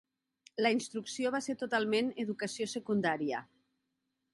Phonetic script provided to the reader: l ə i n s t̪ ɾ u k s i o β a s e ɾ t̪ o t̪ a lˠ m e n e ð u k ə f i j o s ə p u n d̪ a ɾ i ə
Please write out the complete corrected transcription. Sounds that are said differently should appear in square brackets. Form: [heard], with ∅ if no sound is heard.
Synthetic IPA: l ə i n s t̪ ɾ u k s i o β a s e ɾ t̪ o t̪ a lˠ m e n e ð u k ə [s] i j o s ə [k] u n d̪ a ɾ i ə